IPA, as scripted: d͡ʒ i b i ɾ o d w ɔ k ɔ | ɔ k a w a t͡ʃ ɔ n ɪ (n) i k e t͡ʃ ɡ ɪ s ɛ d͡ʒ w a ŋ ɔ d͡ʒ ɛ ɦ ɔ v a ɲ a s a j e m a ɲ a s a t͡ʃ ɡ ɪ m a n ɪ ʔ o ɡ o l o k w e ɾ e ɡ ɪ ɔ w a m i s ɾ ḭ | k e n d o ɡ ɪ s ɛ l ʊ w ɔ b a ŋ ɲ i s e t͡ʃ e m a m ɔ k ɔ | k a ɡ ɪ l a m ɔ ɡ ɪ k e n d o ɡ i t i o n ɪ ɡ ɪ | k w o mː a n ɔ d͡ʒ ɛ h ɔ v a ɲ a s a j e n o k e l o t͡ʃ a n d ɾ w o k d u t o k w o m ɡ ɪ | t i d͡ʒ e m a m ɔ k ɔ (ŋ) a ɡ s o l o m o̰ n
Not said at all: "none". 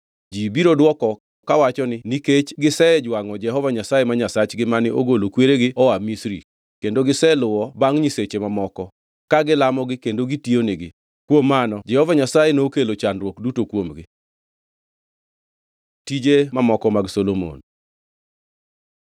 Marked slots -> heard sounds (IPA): n, m

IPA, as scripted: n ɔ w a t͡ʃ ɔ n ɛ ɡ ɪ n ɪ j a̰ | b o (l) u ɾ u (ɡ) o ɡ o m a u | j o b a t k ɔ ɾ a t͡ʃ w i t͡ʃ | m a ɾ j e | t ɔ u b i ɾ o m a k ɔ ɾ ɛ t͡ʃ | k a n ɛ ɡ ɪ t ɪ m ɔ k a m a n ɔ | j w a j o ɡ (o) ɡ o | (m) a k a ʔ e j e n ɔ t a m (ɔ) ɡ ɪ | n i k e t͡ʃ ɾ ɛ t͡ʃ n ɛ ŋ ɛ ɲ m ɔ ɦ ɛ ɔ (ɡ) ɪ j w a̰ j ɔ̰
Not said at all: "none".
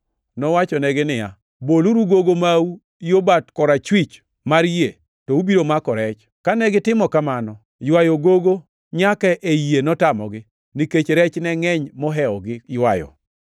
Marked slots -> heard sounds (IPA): l, ɡ, o, ɲ, ɔ, ɡ

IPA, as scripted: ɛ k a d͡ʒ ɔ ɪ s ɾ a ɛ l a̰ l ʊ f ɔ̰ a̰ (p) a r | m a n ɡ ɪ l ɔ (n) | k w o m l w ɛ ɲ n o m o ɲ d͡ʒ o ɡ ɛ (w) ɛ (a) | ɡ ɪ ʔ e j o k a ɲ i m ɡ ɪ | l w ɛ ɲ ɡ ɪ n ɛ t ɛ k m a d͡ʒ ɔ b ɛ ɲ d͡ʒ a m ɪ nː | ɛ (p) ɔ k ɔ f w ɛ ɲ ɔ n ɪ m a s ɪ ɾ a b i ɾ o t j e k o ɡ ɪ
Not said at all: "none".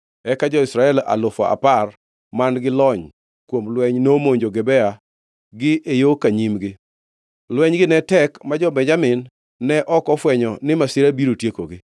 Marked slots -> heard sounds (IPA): p, ɲ, b, a, ʔ

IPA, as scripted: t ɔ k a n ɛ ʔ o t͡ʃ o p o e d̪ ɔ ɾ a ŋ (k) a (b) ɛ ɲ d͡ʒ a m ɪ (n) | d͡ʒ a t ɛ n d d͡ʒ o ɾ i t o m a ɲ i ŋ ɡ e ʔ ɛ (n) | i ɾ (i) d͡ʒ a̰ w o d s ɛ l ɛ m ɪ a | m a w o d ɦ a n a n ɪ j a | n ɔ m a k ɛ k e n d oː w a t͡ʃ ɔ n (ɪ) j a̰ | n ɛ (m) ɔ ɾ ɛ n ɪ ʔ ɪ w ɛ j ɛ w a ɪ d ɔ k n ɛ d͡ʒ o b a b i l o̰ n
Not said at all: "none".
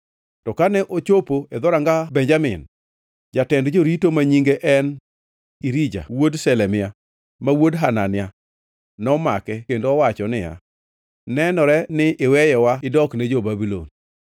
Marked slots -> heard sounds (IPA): ɡ, b, n, n, i, ɪ, n

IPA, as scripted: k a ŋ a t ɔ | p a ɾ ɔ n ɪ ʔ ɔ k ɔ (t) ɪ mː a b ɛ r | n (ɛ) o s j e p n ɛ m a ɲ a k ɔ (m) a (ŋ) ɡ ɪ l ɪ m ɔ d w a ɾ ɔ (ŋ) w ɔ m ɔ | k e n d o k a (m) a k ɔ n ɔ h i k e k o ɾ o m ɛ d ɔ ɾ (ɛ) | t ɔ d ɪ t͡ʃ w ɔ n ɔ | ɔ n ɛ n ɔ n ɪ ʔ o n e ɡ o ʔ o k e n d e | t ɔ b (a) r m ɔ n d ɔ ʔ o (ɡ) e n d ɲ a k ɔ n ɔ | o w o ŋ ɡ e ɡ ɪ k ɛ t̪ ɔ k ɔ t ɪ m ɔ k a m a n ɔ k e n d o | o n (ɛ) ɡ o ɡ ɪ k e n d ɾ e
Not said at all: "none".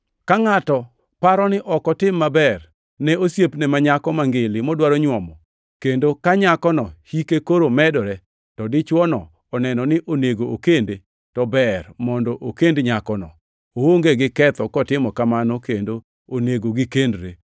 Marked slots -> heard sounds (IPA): t, ɛ, m, ŋ, ɲ, ɲ, ɛ, ɛ, k, e

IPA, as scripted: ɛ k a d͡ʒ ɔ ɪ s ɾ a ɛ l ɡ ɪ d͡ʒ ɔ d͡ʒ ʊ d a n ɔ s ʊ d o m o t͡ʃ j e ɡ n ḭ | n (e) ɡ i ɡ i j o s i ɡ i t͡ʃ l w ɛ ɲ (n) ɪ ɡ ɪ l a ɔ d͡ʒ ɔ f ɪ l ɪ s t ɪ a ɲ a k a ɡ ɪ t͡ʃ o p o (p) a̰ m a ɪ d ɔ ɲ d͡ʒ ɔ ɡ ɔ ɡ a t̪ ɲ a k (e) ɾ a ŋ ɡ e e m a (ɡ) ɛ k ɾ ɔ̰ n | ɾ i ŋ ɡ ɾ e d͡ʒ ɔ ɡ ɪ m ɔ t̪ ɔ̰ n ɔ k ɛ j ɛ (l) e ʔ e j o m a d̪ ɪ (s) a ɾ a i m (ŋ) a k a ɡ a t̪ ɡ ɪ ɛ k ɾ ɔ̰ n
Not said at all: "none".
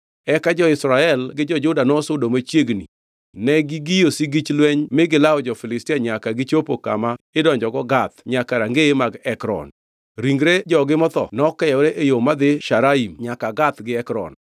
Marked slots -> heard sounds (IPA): ɛ, m, k, a, ɡ, ɾ, ʃ, ɲ

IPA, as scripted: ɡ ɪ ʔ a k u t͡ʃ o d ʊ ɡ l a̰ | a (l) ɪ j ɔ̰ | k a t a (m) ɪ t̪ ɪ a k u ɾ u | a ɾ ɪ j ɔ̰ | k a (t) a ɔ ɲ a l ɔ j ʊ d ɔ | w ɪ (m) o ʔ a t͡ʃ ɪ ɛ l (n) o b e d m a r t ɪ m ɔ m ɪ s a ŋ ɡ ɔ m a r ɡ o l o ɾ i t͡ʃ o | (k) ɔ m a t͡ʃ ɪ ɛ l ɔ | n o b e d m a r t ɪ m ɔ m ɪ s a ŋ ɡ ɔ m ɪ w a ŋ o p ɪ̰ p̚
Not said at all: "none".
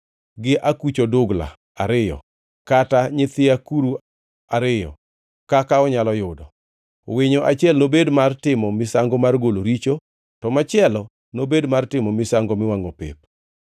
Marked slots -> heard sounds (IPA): ɾ, ɲ, k, ɲ, n, t

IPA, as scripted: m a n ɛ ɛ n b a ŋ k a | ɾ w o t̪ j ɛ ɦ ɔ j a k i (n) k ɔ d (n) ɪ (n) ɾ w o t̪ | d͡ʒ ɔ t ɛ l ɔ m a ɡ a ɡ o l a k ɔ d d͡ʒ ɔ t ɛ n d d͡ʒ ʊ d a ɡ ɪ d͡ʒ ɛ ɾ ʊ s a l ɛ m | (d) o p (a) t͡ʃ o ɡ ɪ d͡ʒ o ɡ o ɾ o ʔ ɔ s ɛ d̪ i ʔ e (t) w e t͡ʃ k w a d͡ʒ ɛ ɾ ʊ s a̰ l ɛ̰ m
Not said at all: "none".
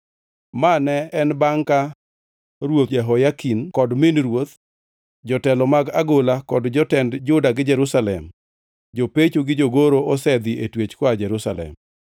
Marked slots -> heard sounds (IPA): n, m, n, d͡ʒ, e, t

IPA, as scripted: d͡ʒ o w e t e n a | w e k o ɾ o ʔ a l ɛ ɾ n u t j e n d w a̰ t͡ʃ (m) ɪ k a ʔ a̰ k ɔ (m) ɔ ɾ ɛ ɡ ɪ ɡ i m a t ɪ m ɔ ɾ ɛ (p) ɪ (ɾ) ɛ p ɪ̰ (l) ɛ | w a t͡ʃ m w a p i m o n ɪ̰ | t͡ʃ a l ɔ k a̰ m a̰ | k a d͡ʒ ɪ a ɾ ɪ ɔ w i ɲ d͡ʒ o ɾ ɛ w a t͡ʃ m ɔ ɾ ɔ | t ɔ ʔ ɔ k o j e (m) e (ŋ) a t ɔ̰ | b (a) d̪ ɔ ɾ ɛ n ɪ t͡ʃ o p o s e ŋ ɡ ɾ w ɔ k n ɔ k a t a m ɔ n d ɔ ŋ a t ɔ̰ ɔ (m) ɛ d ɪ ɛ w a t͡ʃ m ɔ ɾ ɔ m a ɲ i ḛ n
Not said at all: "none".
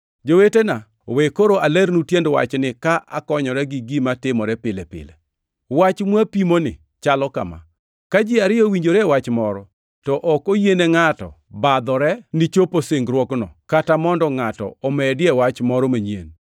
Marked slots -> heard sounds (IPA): n, ɲ, p, l, l, n, ŋ, a, m

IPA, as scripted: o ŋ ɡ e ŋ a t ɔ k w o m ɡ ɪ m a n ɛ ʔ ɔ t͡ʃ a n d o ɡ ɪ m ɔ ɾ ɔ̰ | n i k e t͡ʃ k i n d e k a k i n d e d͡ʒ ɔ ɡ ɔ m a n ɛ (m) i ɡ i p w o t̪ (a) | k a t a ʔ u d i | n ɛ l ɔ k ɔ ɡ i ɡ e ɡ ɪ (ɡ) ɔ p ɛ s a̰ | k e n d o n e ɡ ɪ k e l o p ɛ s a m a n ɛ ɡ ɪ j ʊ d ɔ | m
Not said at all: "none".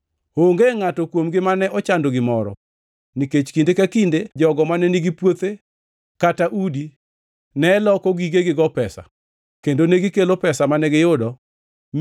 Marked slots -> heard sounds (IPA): n, e, ɡ

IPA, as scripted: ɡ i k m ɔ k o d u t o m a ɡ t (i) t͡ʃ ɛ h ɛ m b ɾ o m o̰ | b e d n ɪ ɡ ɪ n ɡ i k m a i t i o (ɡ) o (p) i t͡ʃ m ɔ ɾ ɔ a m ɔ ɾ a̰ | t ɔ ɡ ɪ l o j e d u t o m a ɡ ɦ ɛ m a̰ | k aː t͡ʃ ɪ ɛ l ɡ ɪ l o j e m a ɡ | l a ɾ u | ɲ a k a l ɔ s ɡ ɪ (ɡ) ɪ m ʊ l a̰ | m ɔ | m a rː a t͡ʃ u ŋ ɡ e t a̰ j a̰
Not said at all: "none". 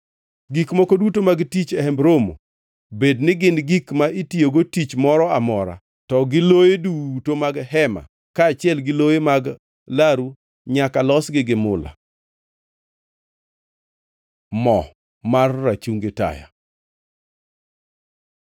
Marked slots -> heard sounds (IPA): i, ɡ, t, ɡ

